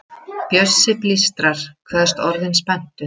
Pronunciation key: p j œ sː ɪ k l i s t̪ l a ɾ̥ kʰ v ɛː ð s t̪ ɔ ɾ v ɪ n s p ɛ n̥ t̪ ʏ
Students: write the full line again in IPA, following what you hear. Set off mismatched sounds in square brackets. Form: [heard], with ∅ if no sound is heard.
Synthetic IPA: p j œ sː ɪ [p] l i s t̪ [ɾ] a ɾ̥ kʰ v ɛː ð s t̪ ɔ ɾ [ð] ɪ n s p ɛ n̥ t̪ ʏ